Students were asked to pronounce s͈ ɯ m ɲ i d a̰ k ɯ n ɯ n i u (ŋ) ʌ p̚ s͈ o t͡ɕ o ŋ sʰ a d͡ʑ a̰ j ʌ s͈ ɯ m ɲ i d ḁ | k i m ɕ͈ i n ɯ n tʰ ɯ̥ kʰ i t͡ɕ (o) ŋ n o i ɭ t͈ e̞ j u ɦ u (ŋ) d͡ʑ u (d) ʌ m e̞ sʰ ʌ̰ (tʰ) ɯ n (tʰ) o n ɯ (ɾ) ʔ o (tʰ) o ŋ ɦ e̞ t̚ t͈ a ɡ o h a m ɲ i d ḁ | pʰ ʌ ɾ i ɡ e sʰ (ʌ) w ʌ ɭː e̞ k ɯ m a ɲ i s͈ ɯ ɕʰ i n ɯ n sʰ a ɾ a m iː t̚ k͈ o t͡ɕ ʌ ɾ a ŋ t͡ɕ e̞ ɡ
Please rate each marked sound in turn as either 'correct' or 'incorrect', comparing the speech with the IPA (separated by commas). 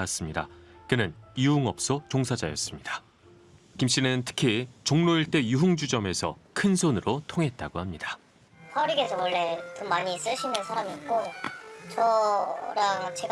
correct, correct, correct, incorrect, incorrect, incorrect, correct, correct, correct